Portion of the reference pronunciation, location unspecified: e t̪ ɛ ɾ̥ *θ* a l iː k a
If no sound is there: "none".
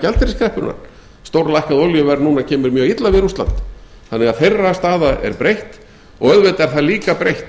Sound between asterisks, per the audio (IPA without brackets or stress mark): θ